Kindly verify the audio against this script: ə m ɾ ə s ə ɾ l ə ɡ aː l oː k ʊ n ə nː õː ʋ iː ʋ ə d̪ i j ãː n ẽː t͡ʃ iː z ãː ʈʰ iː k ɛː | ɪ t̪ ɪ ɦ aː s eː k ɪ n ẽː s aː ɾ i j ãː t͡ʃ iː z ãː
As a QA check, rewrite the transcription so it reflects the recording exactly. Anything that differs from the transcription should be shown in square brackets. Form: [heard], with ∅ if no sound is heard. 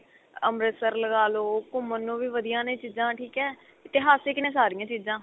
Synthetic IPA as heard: ə m ɾ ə s ə ɾ l ə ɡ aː l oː k ʊ [m] ə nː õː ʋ iː ʋ ə d̪ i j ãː n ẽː t͡ʃ iː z ãː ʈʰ iː k ɛː | ɪ t̪ ɪ ɦ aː s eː k ɪ n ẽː s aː ɾ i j ãː t͡ʃ iː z ãː